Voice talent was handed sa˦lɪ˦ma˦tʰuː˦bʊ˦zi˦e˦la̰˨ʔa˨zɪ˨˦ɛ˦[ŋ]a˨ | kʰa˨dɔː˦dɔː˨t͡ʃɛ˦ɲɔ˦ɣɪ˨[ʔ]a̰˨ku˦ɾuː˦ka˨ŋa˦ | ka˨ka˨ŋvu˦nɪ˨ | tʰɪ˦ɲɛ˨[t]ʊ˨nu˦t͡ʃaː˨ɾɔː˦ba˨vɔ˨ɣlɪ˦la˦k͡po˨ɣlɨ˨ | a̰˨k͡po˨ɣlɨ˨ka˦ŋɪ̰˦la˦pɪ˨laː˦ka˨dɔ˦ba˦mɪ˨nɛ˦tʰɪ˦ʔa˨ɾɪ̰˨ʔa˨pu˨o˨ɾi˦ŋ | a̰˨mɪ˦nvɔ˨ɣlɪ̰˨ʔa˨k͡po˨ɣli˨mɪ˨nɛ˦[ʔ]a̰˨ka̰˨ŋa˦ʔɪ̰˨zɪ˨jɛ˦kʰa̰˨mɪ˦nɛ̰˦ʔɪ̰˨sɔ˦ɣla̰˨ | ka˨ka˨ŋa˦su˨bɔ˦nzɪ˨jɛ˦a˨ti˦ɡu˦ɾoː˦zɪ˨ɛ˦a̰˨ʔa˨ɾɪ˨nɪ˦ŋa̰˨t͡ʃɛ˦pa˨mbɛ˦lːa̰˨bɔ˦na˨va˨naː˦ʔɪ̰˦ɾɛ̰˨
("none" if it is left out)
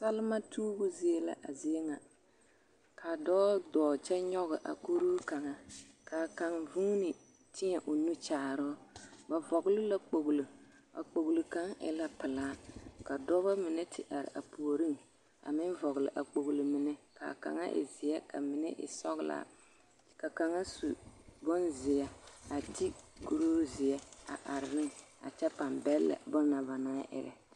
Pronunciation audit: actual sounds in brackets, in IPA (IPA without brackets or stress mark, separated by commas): ŋ, ʔ, ʔ, k